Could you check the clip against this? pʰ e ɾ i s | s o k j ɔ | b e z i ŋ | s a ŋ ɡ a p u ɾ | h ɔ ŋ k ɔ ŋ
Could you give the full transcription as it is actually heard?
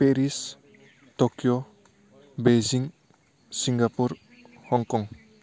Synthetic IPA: p e ɾ i s | t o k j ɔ | b e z i ŋ | s i ŋ ɡ a p u ɾ | h ɔ ŋ k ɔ ŋ